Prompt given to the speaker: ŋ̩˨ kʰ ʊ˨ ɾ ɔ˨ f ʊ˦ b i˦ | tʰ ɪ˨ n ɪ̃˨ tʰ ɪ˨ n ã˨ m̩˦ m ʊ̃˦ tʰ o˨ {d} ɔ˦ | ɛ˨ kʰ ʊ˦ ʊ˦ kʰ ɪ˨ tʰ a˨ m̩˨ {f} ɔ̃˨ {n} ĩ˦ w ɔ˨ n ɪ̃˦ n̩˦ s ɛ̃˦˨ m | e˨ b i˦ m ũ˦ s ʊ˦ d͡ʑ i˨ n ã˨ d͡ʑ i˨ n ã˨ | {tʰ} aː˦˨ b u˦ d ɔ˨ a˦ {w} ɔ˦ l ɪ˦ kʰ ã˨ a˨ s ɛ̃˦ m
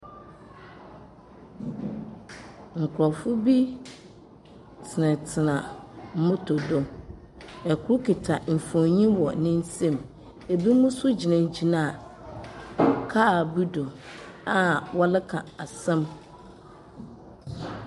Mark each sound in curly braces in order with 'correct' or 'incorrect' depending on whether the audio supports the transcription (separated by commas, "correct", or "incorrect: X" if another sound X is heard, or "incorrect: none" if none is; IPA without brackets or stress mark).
correct, correct, incorrect: ɲ, incorrect: kʰ, correct